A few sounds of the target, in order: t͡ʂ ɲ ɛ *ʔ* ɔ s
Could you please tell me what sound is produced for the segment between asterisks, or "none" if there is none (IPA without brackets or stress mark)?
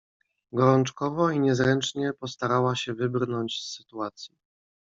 p